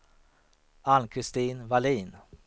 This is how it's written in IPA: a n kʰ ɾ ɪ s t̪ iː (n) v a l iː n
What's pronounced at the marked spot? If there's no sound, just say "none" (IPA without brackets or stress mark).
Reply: n